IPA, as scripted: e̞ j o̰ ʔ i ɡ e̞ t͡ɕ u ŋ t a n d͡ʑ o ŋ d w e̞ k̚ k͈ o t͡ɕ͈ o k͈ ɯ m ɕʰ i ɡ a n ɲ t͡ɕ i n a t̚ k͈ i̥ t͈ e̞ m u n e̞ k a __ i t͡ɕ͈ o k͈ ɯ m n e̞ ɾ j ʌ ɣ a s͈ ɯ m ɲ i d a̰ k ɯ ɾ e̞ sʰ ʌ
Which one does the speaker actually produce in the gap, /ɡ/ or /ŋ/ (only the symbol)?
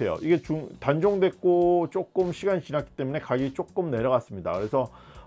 ɡ